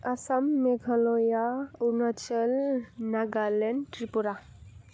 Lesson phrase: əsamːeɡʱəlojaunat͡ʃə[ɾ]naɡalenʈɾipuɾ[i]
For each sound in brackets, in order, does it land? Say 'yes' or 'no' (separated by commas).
no, no